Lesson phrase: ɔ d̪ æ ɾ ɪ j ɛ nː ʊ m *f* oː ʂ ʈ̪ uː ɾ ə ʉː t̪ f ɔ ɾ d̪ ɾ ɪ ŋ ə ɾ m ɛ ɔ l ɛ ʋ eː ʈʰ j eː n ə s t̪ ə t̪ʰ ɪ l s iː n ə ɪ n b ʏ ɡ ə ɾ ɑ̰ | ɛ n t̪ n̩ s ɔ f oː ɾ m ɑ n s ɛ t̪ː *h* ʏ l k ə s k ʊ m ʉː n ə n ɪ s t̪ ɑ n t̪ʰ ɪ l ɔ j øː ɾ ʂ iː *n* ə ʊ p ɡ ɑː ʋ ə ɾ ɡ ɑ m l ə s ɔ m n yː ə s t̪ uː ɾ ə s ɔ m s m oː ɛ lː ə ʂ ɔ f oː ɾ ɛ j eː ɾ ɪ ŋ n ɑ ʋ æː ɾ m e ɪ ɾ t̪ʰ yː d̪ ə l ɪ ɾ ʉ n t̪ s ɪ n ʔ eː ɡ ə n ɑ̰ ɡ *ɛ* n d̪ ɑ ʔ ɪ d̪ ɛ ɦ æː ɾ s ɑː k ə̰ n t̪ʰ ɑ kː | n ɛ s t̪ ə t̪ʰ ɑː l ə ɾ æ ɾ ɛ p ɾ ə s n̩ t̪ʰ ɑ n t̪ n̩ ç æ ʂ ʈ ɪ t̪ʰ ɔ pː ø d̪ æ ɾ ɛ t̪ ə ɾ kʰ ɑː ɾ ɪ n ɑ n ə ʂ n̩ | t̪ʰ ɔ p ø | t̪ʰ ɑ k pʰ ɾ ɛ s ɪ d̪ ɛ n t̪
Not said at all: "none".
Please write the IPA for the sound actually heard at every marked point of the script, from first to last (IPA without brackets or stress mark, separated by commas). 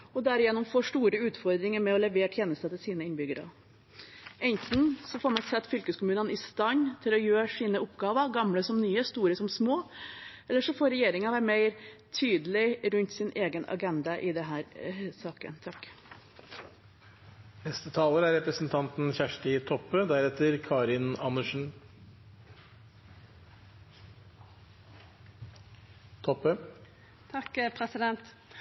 f, f, n, ɛ